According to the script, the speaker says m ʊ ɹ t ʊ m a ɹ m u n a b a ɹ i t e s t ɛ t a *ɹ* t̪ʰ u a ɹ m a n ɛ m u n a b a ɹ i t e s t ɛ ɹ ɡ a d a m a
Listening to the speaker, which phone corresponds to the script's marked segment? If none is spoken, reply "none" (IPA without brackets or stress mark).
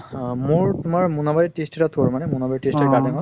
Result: none